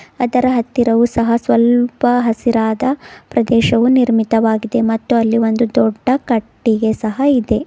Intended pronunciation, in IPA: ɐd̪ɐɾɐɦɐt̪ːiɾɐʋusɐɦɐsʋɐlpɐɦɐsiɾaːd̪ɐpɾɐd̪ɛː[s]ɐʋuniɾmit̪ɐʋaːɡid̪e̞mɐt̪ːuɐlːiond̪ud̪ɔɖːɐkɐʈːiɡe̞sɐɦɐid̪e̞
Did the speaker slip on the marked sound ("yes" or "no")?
yes